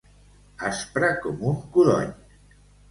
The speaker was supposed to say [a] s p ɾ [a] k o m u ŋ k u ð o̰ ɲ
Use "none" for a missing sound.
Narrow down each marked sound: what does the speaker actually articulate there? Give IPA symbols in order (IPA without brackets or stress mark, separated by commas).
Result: a, a